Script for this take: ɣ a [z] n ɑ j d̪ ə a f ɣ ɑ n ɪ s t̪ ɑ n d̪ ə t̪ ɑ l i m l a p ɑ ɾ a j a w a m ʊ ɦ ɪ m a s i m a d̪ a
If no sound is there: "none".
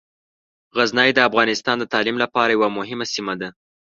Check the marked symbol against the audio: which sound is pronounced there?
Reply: z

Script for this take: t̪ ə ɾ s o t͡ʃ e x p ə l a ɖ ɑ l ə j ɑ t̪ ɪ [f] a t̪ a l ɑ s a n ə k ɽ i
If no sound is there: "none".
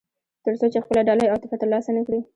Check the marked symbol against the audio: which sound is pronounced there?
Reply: f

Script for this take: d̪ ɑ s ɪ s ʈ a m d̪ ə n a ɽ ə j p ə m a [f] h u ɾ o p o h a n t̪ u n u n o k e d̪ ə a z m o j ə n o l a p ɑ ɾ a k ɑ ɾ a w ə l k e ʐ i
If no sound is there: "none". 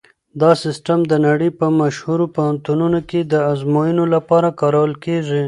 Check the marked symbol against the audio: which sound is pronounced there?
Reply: ʃ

